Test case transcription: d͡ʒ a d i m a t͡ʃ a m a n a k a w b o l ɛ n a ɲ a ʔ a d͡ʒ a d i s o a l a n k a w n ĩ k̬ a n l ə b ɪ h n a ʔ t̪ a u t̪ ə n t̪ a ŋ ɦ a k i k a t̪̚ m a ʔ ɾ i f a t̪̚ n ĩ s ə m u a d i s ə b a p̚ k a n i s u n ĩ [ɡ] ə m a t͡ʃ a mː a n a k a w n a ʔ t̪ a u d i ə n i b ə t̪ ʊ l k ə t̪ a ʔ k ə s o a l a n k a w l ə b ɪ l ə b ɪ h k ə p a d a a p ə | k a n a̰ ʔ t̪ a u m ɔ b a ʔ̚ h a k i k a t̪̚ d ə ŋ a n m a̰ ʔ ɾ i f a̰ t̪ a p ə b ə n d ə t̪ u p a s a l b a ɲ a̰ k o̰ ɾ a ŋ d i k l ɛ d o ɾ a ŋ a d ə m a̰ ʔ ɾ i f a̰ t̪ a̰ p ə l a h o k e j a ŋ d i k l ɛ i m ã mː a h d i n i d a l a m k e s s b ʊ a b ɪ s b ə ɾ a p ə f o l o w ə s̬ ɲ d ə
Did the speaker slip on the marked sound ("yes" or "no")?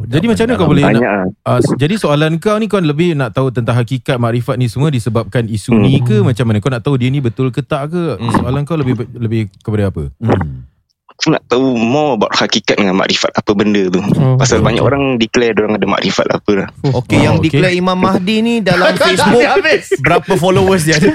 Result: yes